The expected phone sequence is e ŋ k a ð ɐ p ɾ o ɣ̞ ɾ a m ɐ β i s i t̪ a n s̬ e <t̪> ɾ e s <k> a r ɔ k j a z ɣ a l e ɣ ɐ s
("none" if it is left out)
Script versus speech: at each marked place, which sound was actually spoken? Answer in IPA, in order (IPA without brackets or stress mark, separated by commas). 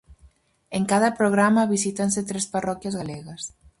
t̪, p